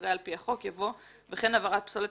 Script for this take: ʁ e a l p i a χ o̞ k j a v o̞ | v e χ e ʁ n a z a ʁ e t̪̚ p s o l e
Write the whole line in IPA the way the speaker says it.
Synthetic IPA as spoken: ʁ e a l p i a χ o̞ k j a v o̞ | v e χ e n a v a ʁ a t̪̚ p s o l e